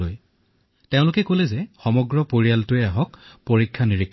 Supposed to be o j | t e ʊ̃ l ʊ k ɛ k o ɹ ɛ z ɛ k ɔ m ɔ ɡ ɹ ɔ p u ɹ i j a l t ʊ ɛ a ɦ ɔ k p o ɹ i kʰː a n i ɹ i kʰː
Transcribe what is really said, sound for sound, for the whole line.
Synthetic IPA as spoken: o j | t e ʊ̃ l ʊ k ɛ k o l ɛ z ɛ x ɔ m ɔ ɡ ɹ ɔ p o ɹ i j a l t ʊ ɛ a ɦ ɔ k p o ɹ i kʰː a n i ɹ i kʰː

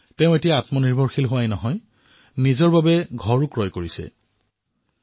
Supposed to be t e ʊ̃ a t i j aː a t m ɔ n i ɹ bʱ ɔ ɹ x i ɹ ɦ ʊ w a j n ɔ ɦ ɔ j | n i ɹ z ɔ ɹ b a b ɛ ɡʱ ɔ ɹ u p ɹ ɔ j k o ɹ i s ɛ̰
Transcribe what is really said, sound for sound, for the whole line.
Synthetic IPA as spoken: t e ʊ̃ e t i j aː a t m ɔ n i ɹ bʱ ɔ ɹ x i l ɦ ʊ w a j n ɔ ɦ ɔ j | n i z ɔ ɹ b a b ɛ ɡʱ ɔ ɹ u k ɹ ɔ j k o ɹ i s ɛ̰

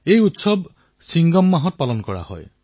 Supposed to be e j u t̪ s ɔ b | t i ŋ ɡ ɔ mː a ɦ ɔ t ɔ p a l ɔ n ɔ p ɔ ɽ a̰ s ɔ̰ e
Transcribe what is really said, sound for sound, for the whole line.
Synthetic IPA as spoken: e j u t̪ s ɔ b | s i ŋ ɡ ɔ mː a ɦ ɔ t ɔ p a l ɔ n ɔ k ɔ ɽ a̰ h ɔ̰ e

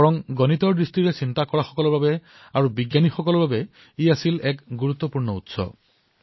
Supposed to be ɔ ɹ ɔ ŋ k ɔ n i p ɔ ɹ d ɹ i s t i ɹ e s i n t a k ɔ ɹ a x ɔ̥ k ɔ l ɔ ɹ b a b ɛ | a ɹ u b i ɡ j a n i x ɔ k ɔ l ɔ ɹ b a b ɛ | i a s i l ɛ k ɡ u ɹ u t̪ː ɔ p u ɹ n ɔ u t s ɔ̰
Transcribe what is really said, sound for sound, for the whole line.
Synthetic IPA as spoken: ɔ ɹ ɔ ŋ ɡ ɔ n i t ɔ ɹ d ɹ i s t i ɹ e s i n t a k ɔ ɹ a x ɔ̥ k ɔ l ɔ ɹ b a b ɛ | a ɹ u b i ɡ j a n i x ɔ k ɔ l ɔ ɹ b a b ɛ | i a s i l ɛ k ɡ u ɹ u t̪ː ɔ p u ɹ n ɔ u t s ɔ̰

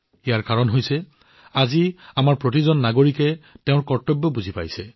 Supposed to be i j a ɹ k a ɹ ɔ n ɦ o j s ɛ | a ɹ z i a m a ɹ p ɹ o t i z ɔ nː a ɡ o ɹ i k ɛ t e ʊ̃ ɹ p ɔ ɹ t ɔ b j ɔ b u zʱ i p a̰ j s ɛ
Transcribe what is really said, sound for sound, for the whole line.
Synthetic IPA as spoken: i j a ɹ k a ɹ ɔ n ɦ o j s ɛ | a z i a m a ɹ p ɹ o t i z ɔ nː a ɡ o ɹ i k ɛ t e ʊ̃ ɹ k ɔ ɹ t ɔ b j ɔ b u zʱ i p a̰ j s ɛ

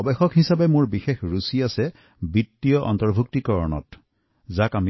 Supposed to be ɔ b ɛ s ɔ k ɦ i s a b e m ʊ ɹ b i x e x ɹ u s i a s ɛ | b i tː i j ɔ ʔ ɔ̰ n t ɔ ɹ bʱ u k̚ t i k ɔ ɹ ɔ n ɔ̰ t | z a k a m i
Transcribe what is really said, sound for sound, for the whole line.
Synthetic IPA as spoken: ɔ b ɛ x ɔ k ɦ i s a b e m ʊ ɹ b i x e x ɹ u s i a s ɛ | b i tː i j ɔ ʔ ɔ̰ n t ɔ ɹ bʱ u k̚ t i k ɔ ɹ ɔ n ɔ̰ t | z a k a m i

